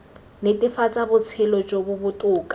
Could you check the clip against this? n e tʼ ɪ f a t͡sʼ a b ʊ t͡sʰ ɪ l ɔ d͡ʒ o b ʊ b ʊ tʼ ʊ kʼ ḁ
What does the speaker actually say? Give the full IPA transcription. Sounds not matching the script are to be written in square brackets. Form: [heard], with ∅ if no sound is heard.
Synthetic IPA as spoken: n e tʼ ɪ f a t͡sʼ a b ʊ t͡sʰ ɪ l ɔ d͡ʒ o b ʊ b ʊ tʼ [ʊː] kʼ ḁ